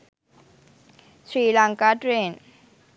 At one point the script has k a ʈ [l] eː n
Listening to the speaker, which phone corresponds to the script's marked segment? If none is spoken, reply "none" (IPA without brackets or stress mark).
ɾ